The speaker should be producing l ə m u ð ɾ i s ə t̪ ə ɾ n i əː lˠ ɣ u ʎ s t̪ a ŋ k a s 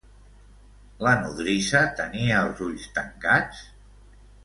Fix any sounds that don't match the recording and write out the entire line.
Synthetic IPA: l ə n u ð ɾ i s ə t̪ ə n i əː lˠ z u ʎ s t̪ ə ŋ k a t͡s